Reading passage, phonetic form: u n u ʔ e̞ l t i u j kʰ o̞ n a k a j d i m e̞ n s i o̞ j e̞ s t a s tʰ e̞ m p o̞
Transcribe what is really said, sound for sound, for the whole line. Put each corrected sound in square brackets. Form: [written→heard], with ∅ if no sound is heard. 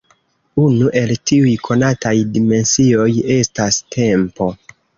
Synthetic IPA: u n u ʔ e̞ l t i u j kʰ o̞ n a [k→t] a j d i m e̞ n s i o̞ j e̞ s t a s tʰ e̞ m p o̞

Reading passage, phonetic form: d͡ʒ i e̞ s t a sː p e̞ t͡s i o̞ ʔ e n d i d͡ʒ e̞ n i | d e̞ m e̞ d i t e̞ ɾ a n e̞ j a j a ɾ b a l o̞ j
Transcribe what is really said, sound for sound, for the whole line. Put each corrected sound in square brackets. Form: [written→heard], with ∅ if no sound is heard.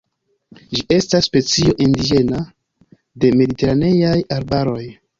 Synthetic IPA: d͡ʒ i e̞ s t a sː p e̞ t͡s i o̞ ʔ [e→i] n d i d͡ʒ e̞ n [i→a] | d e̞ m e̞ d i t e̞ ɾ a n e̞ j a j a ɾ b a [l→ɾ] o̞ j

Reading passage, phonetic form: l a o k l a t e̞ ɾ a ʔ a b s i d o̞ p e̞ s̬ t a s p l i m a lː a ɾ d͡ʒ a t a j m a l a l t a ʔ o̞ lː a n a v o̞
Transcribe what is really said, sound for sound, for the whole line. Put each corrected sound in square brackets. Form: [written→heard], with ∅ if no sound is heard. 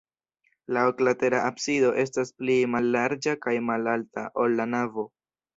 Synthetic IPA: l a o k l a t e̞ ɾ a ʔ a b s i d o̞ [p→ʔ] e̞ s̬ t a s p l i m a lː a ɾ d͡ʒ a [t→k] a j m a l a l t a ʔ o̞ lː a n a v o̞

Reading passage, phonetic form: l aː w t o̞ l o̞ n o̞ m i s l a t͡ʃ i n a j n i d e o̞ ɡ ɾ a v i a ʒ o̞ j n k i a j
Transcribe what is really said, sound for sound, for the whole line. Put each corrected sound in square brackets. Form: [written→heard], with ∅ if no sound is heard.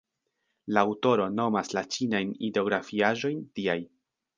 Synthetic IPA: l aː w t o̞ [l→ɾ] o̞ n o̞ m [i→a] s l a t͡ʃ i n a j n i d e o̞ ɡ ɾ a [v→f] i a ʒ o̞ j n [k→t] i a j

